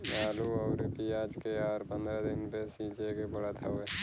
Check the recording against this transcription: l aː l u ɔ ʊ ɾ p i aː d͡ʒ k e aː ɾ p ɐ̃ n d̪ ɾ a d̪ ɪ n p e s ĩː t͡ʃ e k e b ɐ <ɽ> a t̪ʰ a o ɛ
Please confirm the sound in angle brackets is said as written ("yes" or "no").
yes